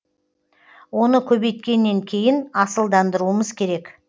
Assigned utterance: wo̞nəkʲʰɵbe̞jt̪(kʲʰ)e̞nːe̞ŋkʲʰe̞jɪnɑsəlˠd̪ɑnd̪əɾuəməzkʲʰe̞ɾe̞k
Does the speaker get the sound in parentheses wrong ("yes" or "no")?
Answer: yes